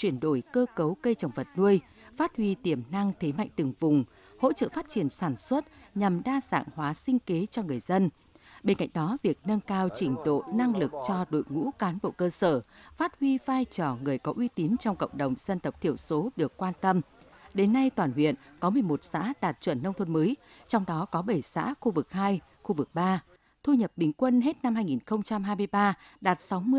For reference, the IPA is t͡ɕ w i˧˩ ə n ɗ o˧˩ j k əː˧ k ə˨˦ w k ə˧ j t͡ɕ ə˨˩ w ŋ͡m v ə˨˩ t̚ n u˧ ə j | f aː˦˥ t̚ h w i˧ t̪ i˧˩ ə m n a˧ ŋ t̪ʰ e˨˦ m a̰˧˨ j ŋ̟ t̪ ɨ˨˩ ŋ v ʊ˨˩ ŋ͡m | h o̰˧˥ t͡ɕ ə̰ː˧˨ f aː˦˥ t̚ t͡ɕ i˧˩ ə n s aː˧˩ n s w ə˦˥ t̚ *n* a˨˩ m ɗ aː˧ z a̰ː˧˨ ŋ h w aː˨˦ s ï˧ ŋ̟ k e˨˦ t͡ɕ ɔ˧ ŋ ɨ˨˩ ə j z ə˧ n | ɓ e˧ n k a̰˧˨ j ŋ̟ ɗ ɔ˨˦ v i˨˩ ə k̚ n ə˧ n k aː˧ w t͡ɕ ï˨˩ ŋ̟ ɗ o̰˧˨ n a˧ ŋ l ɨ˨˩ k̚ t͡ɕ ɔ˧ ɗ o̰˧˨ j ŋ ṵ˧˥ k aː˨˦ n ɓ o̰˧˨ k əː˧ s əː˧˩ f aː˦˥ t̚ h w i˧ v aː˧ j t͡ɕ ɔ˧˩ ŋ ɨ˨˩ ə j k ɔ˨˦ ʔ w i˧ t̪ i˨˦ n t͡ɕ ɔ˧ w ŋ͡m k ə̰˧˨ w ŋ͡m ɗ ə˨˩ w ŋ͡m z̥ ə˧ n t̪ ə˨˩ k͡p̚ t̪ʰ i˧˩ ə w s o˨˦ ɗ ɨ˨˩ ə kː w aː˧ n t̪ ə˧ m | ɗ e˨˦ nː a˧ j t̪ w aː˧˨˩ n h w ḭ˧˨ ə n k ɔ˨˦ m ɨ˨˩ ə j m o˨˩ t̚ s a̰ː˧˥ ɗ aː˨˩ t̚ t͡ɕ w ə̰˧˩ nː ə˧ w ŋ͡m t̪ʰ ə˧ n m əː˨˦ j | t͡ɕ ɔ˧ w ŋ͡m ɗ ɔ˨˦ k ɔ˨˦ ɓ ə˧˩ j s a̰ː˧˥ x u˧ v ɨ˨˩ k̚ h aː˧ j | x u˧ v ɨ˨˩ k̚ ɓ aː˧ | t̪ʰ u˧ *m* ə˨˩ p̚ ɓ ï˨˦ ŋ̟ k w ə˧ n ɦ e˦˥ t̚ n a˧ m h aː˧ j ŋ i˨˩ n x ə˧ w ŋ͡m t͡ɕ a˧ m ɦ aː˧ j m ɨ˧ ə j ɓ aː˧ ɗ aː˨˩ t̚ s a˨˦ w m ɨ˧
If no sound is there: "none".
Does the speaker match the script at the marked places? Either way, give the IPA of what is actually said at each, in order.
ɲ, ɲ

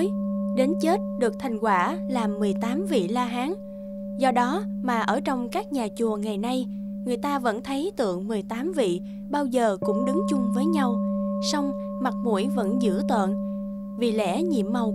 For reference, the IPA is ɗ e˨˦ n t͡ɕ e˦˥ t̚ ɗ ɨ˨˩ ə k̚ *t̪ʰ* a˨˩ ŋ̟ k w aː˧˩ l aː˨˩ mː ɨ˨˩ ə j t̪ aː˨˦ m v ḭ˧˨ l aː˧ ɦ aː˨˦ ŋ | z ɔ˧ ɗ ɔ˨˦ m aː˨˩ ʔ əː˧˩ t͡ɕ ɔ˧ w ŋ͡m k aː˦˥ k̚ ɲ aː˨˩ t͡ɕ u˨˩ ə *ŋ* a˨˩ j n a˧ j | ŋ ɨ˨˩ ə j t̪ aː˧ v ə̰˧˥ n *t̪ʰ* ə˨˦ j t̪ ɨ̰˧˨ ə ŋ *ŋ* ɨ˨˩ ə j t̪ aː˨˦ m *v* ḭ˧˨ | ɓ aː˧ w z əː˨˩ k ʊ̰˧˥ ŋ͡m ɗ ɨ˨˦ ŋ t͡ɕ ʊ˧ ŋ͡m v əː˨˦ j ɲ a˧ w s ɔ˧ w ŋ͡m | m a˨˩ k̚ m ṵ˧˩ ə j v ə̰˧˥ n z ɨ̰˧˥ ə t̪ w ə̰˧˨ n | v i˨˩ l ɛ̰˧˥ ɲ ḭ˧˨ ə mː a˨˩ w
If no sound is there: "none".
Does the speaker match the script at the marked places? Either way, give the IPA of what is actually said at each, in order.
t̪ʰ, ŋ, t̪ʰ, m, v

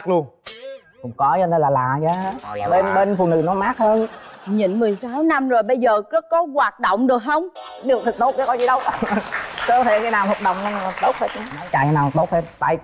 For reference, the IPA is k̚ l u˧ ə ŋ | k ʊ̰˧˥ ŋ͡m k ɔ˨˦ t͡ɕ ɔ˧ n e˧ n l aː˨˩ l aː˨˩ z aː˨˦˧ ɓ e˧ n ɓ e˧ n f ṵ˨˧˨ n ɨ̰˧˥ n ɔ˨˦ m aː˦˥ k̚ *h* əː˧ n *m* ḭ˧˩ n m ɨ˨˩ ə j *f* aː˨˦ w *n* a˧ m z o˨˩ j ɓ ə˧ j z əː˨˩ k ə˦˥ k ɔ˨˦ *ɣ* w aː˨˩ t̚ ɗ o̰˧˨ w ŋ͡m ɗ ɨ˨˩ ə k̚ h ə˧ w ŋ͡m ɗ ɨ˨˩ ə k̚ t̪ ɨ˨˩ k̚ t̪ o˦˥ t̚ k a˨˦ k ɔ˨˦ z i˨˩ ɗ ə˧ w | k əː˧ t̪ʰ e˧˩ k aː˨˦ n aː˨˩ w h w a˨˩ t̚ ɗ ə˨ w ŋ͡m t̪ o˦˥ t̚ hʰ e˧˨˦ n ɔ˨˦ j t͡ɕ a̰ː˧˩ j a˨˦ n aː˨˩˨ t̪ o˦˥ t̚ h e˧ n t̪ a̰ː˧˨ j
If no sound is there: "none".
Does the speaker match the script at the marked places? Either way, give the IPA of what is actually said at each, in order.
h, ɲ, s, n, ɣ

